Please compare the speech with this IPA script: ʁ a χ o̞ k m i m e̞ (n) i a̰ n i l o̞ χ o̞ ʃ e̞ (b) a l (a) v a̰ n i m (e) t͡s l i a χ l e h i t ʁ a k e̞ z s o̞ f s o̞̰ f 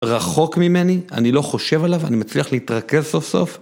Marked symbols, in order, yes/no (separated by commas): yes, no, yes, no